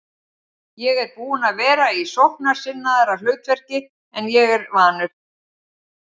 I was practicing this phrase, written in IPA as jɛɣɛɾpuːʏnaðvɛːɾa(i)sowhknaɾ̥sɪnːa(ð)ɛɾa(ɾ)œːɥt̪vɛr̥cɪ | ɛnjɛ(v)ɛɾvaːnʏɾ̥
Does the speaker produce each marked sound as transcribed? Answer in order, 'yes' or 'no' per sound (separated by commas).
yes, yes, no, no